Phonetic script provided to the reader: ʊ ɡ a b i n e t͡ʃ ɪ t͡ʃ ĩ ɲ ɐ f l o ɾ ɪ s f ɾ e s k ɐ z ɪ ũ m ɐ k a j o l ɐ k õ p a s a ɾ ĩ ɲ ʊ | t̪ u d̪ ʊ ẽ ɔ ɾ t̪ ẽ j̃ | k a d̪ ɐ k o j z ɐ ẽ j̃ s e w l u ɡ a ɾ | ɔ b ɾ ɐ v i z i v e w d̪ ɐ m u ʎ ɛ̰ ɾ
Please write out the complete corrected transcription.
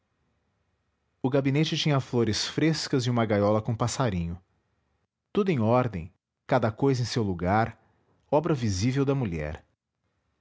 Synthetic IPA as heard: ʊ ɡ a b i n e t͡ʃ ɪ t͡ʃ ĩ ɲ ɐ f l o ɾ ɪ s f ɾ e s k ɐ z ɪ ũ m ɐ ɡ a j ɔ l ɐ k õ p a s a ɾ ĩ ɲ ʊ | t̪ u d̪ ʊ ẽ ɔ ɾ d̪ ẽ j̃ | k a d̪ ɐ k o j z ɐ ẽ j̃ s e w l u ɡ a ɾ | ɔ b ɾ ɐ v i z i v e w d̪ ɐ m u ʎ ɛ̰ ɾ